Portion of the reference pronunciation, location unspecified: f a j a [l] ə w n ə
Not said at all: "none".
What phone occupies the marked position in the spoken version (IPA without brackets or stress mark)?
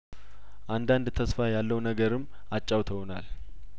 lː